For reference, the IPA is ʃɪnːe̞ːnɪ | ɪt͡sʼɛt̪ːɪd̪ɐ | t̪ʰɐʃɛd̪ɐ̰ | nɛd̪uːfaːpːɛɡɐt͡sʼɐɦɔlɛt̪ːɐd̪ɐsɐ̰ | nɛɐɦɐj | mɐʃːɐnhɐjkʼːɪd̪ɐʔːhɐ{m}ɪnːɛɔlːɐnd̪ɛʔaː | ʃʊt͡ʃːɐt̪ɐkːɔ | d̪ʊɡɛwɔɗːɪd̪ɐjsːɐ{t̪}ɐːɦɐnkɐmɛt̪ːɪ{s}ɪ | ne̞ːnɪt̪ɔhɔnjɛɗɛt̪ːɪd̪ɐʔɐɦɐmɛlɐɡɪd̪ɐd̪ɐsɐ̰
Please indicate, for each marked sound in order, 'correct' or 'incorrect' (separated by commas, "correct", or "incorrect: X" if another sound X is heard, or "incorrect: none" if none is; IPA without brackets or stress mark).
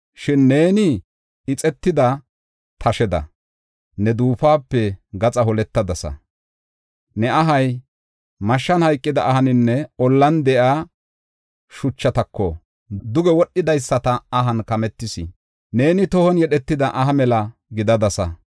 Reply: incorrect: n, correct, correct